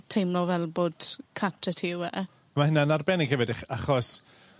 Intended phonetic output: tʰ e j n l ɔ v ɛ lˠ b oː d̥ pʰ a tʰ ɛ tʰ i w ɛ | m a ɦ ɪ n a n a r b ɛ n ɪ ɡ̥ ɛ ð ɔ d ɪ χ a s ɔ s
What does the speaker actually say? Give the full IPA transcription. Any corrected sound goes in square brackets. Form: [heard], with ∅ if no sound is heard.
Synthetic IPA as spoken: tʰ e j [m] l ɔ v ɛ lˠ b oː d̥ [kʰ] a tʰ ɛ tʰ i w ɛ | m a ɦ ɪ n a n a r b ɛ n ɪ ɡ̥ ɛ [v] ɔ d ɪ χ a [χ] ɔ s